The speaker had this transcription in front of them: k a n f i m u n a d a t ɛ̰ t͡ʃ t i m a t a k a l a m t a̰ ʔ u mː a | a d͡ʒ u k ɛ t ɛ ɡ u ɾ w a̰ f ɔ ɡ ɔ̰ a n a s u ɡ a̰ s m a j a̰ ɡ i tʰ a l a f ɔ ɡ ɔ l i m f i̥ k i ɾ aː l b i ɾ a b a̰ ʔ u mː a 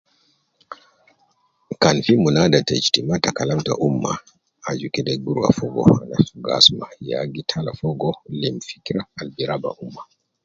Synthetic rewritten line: k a n f i m u n a d a t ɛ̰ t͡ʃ t i m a t a k a l a m t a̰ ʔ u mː a | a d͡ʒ u k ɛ d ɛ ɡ u ɾ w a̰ f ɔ ɡ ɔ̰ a n a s u ɡ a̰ s m a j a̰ ɡ i tʰ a l a f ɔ ɡ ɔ l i m f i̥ k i ɾ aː l b i ɾ a b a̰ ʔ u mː a